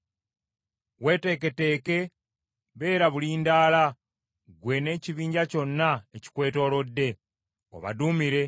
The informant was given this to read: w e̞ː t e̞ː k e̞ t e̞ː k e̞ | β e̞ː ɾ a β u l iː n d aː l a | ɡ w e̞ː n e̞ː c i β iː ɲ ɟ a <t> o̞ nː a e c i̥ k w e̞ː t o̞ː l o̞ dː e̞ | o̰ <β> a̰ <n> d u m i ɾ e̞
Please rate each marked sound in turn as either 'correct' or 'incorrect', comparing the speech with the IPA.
incorrect: c, correct, incorrect: none

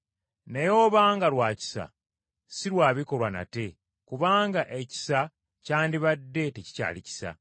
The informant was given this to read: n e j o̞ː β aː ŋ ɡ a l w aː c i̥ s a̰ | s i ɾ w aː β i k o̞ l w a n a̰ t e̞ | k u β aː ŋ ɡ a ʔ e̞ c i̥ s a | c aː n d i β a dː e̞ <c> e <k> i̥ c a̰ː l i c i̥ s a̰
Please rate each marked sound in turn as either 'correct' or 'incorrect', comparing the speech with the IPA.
incorrect: t, incorrect: c

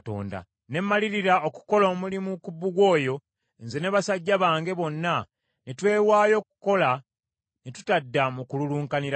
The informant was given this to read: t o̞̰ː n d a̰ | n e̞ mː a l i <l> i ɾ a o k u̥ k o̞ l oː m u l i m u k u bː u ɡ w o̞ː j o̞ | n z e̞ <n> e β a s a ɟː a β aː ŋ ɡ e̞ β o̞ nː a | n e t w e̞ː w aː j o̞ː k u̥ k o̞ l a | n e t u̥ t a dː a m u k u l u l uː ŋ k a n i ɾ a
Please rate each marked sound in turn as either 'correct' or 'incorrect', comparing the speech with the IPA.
incorrect: ɾ, correct

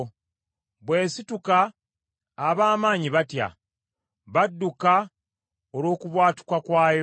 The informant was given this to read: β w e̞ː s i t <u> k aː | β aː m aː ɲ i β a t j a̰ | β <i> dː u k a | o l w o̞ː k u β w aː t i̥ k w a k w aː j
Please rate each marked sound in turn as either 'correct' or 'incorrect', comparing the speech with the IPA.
correct, incorrect: a

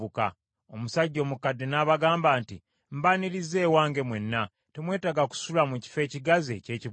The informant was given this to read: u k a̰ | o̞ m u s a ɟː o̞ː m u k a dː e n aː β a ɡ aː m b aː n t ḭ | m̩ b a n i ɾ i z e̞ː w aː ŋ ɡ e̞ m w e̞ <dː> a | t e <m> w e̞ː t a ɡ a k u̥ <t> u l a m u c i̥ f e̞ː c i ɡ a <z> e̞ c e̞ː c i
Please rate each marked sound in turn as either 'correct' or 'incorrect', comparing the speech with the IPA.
incorrect: nː, correct, incorrect: s, correct

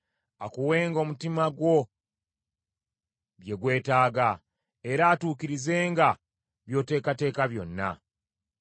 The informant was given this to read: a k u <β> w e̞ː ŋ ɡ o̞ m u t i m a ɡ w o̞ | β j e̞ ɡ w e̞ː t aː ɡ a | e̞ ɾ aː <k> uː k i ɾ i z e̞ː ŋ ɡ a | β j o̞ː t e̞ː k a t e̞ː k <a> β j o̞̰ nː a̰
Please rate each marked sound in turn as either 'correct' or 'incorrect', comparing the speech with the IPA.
incorrect: none, incorrect: t, correct

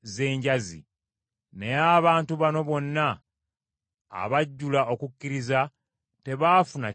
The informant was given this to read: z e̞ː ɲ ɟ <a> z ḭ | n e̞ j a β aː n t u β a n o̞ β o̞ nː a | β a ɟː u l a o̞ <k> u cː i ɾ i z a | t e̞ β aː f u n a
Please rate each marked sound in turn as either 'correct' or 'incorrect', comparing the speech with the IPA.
correct, correct

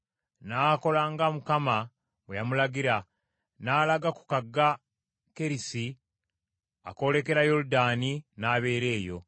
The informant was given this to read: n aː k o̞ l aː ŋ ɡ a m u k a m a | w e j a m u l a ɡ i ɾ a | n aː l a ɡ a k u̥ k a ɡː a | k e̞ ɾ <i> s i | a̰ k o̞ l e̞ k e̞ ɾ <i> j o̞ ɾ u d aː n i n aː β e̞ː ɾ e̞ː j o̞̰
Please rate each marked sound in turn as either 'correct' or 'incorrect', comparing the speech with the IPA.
correct, incorrect: a

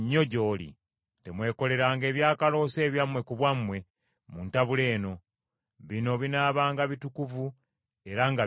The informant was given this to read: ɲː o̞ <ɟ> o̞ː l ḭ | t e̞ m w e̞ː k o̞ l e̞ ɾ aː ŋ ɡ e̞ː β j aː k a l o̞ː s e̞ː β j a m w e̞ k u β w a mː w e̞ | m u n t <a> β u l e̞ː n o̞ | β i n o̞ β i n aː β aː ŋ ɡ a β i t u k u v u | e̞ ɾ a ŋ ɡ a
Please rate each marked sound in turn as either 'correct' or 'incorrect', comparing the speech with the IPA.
correct, correct

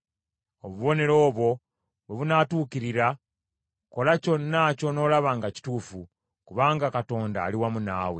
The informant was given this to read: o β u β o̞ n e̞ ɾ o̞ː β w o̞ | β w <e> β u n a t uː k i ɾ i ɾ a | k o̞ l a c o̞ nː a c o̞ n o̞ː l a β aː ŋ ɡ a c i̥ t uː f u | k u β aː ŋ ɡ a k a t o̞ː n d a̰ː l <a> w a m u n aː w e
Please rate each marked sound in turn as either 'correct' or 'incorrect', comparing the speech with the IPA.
correct, incorrect: i

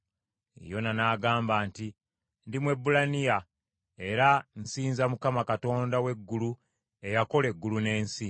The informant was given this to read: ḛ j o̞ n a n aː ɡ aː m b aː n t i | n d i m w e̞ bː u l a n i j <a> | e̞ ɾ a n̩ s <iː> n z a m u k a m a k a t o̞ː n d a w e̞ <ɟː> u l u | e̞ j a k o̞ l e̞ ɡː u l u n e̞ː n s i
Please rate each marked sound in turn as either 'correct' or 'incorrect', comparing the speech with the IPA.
correct, correct, incorrect: ɡː

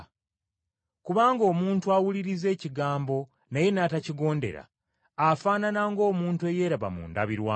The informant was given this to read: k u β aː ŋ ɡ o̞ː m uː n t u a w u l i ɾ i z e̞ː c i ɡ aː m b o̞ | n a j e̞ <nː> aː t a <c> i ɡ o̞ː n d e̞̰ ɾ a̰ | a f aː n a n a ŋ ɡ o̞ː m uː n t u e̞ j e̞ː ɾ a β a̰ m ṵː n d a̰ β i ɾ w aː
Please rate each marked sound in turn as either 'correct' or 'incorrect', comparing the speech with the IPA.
incorrect: n, correct

